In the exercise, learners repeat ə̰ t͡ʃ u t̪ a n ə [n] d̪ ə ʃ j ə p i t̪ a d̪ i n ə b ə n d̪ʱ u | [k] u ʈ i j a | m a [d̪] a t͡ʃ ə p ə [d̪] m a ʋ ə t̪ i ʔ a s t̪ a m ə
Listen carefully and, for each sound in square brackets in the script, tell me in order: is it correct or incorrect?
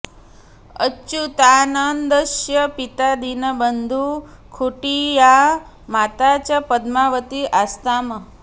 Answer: correct, incorrect, incorrect, correct

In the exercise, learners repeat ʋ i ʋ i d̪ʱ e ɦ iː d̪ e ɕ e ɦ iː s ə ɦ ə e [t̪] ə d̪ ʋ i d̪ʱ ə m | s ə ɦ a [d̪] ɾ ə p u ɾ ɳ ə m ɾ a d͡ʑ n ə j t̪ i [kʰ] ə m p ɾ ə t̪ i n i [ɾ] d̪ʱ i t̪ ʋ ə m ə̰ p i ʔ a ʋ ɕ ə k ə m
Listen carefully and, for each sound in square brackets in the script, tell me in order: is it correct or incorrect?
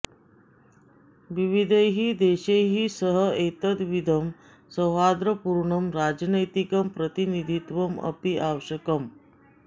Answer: correct, correct, incorrect, incorrect

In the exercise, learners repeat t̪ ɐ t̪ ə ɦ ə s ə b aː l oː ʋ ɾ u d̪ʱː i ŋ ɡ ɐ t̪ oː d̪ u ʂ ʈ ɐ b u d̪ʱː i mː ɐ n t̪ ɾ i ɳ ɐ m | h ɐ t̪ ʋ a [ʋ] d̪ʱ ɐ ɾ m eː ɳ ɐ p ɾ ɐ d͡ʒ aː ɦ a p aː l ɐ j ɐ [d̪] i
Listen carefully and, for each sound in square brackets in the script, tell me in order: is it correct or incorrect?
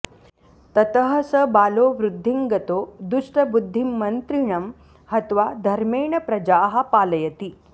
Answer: incorrect, incorrect

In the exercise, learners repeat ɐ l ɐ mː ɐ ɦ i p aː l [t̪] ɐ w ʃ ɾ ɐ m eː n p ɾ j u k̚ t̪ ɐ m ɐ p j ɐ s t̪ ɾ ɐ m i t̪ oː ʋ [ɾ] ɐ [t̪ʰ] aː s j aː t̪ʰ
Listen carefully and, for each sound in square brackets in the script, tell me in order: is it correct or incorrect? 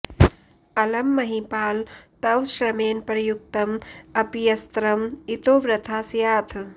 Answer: correct, correct, correct

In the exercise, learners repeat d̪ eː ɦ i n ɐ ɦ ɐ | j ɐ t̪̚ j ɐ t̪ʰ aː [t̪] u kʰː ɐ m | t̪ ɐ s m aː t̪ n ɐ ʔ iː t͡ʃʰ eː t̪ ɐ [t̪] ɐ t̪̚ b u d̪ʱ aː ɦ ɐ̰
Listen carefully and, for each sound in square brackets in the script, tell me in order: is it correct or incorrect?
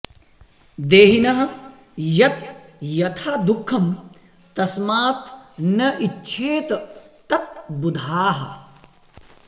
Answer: incorrect, correct

